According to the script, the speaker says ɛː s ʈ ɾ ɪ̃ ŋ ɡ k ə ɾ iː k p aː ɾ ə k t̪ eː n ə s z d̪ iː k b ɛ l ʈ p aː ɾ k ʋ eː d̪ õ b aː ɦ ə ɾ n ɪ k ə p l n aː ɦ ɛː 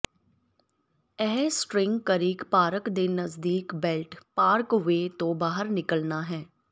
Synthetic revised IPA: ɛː s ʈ ɾ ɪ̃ ŋ ɡ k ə ɾ iː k p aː ɾ ə k d̪ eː n ə z d̪ iː k b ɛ l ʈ p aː ɾ k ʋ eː t̪ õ b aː ɦ ə ɾ n ɪ k ə l n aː ɦ ɛː